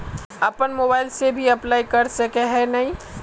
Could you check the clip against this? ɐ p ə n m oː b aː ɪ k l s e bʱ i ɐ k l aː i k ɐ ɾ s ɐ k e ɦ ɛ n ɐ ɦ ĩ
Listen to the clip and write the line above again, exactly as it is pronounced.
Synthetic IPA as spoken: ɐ p ə n m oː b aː ɪ l s e bʱ i ɐ p l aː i k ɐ ɾ s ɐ k e ɦ ɛ n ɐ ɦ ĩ